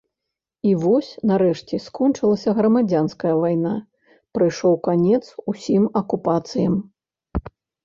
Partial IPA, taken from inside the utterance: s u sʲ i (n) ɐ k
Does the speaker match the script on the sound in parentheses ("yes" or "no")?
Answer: no